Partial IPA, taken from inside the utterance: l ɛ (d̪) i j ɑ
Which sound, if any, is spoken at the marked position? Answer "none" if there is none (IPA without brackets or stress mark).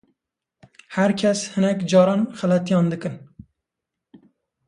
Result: t̪